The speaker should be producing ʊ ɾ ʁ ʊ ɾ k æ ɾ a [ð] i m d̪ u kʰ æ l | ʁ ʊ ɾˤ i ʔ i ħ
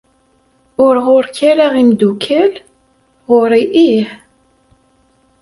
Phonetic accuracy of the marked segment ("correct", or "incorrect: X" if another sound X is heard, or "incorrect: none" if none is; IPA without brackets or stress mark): incorrect: ʁ